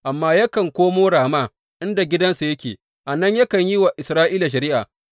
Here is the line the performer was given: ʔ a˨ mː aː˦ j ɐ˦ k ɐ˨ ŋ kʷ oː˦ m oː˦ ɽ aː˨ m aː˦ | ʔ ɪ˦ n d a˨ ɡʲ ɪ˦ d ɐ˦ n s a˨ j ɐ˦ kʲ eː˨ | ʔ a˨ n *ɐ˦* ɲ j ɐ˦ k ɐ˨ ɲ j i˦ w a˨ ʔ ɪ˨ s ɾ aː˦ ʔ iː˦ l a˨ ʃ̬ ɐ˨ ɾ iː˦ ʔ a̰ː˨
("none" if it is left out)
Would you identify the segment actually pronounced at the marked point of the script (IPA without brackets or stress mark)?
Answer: ɐ˦